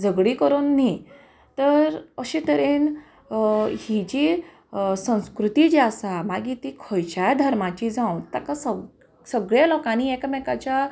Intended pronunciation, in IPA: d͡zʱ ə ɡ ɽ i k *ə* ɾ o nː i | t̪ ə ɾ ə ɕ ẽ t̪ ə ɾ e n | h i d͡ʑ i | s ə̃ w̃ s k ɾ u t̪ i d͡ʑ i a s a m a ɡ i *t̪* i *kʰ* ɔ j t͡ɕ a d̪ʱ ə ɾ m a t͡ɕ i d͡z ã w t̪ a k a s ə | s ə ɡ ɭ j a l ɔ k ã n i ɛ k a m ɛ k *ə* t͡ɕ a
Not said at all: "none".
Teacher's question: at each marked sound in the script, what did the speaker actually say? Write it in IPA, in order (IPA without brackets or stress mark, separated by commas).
ə, t̪, kʰ, a